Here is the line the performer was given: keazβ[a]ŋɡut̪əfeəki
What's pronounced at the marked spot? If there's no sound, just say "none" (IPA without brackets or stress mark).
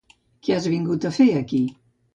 i